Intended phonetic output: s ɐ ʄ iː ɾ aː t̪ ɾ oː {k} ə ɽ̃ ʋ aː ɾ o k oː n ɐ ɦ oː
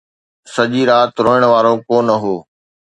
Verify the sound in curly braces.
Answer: incorrect: none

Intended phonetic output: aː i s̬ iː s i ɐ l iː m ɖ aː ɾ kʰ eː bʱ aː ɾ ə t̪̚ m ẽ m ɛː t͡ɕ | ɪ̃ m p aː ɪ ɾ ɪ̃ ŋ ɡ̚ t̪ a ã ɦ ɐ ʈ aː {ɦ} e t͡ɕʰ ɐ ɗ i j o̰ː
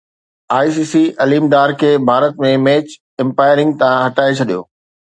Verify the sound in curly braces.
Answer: incorrect: none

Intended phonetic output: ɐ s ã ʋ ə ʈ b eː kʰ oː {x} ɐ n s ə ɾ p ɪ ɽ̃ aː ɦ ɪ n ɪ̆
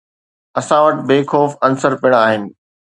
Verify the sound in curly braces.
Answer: incorrect: f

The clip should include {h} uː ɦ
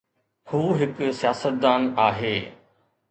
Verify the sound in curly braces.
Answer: correct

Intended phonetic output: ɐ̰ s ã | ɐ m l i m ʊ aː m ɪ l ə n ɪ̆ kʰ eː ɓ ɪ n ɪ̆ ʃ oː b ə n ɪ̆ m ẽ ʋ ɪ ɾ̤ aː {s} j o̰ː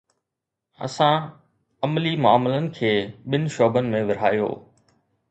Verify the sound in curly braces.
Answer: incorrect: none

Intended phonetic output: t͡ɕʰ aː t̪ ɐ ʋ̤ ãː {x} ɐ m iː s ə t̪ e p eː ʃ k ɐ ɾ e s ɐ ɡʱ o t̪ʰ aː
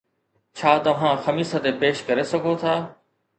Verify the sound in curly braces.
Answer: correct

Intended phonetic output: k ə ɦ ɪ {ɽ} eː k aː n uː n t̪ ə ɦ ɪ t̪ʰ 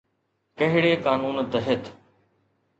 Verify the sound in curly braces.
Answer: correct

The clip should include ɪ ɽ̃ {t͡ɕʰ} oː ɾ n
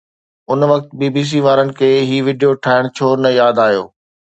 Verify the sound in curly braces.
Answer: correct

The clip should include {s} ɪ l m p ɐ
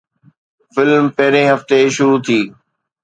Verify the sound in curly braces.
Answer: incorrect: f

